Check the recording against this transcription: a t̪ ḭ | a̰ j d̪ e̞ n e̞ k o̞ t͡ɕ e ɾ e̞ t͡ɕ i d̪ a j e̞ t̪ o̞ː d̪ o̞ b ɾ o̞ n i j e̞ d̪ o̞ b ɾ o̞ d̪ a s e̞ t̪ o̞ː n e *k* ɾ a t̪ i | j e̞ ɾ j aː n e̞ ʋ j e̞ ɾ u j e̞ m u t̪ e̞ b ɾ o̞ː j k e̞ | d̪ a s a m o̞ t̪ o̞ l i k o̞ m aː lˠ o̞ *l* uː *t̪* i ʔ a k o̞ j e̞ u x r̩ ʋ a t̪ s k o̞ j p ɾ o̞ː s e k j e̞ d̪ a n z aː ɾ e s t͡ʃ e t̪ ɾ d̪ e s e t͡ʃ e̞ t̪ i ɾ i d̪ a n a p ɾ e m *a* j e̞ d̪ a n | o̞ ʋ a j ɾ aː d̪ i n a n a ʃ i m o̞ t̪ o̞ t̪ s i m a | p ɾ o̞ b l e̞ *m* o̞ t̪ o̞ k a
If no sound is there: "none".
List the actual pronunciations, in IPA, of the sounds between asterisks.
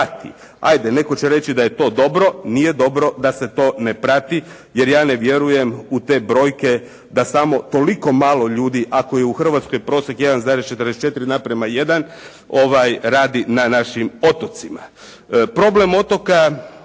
p, ʎ, d̪, a, m

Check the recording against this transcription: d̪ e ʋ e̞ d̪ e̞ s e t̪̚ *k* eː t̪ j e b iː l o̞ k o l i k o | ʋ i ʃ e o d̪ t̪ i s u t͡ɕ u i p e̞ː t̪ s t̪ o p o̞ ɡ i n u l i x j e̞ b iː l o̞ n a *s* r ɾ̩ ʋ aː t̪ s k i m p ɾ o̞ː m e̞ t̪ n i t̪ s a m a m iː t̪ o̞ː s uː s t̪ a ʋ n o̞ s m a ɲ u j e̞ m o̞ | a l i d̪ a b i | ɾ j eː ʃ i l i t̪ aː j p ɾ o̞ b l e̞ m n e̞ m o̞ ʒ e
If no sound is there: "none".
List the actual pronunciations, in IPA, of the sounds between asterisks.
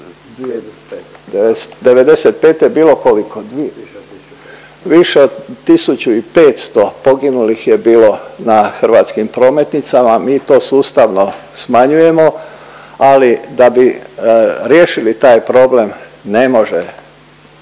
p, x

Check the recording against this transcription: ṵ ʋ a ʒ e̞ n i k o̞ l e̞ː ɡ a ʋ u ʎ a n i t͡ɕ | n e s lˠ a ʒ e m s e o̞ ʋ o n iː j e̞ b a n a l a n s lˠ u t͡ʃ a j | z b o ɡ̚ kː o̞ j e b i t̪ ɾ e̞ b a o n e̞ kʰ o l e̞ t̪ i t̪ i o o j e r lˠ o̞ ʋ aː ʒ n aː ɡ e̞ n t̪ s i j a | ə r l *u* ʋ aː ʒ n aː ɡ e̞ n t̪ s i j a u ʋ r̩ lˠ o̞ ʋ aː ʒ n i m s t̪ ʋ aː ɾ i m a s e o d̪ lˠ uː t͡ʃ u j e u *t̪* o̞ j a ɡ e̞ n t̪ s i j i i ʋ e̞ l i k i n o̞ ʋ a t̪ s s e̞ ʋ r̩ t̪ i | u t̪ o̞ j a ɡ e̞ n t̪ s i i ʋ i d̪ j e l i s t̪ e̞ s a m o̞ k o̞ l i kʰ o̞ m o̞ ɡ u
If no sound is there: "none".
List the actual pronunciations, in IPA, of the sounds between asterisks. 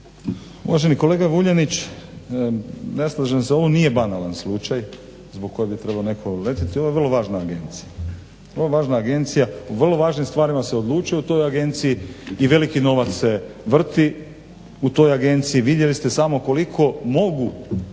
o, t̪

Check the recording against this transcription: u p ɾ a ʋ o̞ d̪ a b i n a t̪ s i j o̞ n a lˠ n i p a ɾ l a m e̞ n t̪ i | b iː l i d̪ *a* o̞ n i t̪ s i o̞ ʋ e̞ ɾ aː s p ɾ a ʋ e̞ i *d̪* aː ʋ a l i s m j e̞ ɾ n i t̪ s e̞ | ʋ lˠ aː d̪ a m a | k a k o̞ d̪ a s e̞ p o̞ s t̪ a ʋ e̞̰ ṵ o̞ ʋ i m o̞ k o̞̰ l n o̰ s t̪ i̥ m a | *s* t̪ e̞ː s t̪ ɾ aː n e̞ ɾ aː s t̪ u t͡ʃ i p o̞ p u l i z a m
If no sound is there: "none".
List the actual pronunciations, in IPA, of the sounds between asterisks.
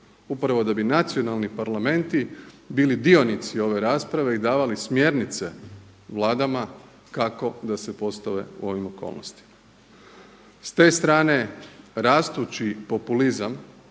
i, d̪, s

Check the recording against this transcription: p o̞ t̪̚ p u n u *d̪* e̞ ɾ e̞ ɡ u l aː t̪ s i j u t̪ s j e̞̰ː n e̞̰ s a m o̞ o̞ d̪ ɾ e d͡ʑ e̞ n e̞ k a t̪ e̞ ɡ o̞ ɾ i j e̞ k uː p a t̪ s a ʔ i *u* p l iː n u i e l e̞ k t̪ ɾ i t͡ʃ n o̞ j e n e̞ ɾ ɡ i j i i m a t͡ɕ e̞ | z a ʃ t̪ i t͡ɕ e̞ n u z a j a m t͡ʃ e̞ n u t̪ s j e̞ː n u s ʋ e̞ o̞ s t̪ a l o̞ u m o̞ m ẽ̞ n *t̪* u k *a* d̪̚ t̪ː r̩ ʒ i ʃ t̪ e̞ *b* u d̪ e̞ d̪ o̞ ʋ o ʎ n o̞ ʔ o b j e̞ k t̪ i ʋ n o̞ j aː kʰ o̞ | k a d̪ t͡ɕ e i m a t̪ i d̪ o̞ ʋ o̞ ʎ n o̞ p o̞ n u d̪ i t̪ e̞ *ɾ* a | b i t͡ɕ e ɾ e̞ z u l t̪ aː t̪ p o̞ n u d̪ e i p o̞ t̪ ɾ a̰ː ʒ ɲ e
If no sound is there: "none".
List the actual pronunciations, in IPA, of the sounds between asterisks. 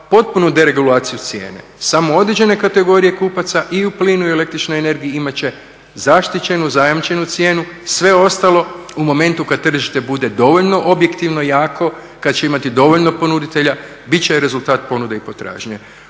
d̪, u, t̪, a, b, ʎ

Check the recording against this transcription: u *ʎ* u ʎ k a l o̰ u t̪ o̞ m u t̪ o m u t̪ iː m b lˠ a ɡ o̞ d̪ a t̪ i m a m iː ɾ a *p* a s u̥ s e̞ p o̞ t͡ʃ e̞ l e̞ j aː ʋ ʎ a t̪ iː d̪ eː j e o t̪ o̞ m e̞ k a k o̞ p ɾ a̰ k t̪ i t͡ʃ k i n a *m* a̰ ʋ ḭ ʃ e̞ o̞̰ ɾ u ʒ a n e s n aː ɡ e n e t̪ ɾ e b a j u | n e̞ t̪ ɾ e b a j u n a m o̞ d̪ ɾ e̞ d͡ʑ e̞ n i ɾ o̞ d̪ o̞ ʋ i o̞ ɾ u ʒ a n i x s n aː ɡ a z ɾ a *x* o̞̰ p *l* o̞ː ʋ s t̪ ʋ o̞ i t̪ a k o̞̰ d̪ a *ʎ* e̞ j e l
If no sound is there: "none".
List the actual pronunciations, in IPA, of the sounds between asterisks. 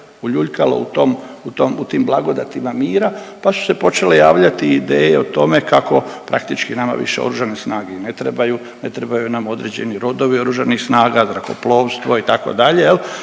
ʎ, p, m, k, l, ʎ

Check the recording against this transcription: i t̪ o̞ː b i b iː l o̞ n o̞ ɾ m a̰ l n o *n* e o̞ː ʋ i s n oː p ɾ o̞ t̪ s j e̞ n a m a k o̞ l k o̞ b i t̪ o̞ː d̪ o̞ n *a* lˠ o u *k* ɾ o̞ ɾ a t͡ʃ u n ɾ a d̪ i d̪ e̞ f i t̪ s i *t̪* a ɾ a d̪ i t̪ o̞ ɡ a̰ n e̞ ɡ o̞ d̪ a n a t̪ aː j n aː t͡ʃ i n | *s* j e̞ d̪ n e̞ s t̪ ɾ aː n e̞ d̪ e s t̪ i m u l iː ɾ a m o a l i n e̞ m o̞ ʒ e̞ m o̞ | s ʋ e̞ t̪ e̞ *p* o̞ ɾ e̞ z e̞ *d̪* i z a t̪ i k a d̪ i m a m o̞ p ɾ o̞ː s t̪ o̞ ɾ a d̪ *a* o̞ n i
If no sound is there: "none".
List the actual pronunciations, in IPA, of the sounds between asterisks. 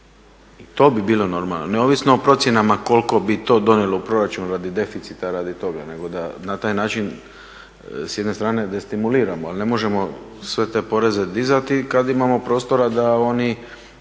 n, e, p, t̪, s, p, d̪, a

